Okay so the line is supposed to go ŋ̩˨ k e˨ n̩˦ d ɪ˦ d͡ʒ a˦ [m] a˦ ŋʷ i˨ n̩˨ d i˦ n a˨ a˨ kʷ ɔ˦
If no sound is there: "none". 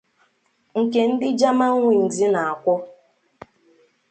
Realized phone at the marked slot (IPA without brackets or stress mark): m